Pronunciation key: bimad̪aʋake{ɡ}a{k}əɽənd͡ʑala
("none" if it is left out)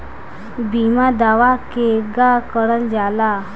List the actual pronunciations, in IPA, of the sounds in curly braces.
ɡ, k

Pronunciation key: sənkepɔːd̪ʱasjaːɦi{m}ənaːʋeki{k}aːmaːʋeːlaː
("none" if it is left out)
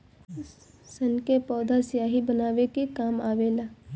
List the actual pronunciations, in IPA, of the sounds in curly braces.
b, k

